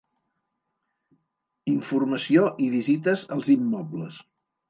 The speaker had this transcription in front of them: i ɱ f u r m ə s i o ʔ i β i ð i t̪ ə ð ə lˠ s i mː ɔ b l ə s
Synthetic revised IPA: i ɱ f u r m ə s i o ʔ i β i z i t̪ ə z ə lˠ z i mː ɔ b l ə s